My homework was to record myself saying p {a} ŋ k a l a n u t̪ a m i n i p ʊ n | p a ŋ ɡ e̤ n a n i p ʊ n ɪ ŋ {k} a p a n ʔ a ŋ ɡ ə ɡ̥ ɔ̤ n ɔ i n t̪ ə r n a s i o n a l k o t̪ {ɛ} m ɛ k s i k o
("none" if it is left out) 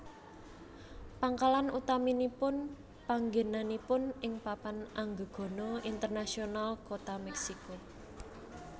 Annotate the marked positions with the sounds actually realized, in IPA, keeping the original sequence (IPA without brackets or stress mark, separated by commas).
a, p, a